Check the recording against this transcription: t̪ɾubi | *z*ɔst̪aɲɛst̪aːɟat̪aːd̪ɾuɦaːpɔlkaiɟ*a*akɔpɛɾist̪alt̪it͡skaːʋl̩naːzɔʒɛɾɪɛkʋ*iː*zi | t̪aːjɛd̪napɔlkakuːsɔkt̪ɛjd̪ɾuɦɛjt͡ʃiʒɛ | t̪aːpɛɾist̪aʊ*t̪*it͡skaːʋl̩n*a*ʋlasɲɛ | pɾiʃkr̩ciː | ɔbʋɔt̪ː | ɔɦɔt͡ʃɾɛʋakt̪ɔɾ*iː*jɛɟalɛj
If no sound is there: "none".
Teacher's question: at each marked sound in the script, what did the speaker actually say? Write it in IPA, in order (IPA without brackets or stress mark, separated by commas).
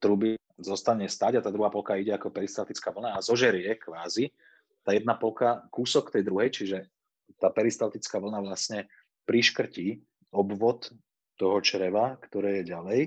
z, ɛ, aː, t̪, a, ɛː